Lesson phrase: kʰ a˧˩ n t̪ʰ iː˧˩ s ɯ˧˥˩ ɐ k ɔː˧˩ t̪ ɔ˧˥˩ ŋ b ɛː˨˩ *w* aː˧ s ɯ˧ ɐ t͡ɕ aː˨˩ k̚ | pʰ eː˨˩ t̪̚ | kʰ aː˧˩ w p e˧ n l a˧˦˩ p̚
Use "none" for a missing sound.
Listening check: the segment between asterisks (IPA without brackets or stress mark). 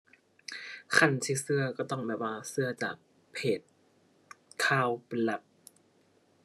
w